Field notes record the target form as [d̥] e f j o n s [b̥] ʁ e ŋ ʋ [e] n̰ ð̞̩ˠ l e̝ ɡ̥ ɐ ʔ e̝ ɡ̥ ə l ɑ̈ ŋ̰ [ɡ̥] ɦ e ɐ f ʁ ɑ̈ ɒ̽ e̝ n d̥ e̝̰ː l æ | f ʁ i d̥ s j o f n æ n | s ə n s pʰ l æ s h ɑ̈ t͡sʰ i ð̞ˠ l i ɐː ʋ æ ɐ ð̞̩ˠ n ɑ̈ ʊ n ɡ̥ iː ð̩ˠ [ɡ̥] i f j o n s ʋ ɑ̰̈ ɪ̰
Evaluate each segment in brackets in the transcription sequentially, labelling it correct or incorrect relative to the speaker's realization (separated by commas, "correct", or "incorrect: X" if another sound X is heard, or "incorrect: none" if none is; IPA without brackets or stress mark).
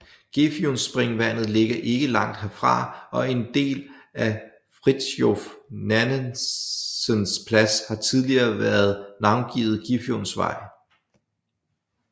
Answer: incorrect: ɡ̥, correct, incorrect: æ, incorrect: d̥, correct